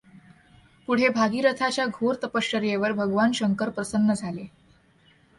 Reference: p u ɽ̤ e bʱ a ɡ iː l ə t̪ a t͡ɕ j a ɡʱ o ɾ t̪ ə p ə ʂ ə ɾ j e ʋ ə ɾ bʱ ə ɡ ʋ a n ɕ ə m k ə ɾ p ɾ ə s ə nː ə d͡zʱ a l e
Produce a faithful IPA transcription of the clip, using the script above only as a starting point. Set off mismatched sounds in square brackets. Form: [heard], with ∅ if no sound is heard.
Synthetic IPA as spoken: p u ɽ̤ e bʱ a ɡ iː [ɾ] ə [t̪ʰ] a t͡ɕ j a ɡʱ o ɾ t̪ ə p ə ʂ ə ɾ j e ʋ ə ɾ bʱ ə ɡ ʋ a n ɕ ə [ŋ] k ə ɾ p ɾ ə s ə nː ə d͡zʱ a l e